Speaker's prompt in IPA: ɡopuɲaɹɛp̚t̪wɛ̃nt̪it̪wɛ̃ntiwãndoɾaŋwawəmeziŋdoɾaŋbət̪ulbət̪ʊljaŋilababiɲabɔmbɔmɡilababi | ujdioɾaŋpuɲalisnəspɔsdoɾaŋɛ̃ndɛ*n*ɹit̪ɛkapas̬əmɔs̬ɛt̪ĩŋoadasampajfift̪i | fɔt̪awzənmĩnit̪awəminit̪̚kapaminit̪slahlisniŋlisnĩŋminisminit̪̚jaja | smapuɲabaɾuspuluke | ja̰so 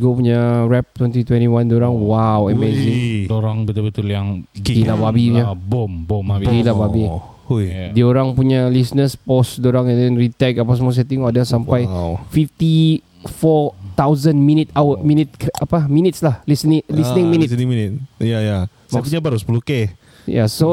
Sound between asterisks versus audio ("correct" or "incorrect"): correct